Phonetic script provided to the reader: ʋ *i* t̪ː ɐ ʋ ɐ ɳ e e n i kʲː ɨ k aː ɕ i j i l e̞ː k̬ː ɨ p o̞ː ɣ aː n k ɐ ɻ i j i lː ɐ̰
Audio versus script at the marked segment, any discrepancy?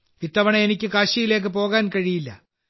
no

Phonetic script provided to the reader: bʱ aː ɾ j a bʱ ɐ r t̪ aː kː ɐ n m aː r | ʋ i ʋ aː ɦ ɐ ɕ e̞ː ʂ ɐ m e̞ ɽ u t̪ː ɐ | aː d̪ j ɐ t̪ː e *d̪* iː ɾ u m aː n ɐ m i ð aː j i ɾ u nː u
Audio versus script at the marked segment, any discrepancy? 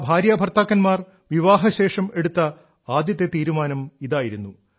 yes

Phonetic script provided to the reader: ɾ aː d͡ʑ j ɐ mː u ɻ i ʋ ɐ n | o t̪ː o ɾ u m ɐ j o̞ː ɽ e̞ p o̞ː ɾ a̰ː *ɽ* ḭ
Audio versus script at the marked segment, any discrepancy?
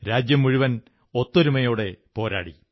no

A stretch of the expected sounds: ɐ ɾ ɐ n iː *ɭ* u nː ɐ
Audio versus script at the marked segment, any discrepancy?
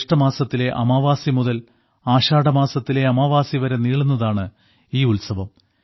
no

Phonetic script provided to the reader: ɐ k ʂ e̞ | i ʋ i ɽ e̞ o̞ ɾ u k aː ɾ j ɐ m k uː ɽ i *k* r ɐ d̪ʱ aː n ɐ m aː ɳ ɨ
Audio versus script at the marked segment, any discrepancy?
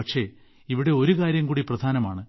yes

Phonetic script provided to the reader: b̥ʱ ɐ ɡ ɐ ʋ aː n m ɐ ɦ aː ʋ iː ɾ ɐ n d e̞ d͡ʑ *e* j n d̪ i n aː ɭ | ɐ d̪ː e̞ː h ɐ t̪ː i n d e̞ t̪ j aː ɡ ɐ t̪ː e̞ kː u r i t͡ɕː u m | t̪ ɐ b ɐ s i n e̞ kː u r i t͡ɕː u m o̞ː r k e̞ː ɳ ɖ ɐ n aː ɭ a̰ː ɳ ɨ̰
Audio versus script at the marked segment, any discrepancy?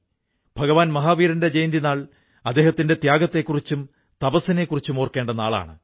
no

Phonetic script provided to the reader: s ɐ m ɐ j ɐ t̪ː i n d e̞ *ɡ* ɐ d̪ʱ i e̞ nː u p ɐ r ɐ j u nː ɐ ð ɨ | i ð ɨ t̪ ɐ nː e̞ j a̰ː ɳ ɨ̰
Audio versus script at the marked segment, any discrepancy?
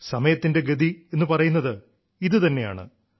no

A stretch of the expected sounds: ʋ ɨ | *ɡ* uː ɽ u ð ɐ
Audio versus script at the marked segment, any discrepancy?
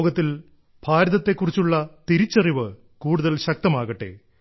yes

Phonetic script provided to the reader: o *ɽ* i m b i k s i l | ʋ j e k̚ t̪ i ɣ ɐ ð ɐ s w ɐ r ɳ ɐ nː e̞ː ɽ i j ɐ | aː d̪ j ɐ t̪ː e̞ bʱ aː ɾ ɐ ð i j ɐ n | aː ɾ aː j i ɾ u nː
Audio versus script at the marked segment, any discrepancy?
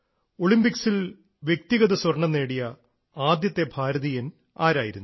yes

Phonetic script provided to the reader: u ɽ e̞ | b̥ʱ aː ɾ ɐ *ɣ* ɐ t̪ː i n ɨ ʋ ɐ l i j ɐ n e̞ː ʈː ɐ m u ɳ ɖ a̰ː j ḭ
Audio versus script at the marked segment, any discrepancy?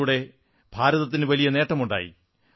yes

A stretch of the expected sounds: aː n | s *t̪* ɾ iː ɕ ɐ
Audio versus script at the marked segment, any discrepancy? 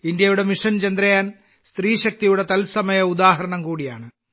no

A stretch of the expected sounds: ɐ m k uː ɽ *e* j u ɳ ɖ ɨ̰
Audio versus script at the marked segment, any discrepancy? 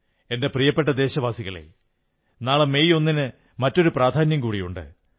yes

